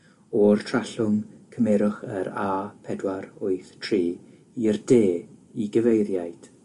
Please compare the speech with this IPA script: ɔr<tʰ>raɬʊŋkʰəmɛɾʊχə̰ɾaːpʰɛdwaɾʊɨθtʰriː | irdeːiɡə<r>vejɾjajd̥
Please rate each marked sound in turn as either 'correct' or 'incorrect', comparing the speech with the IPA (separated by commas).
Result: correct, incorrect